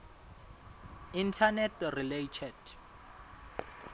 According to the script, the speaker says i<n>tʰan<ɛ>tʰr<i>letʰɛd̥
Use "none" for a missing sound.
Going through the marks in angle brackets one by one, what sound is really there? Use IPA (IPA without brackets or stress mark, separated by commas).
n, ɛ, i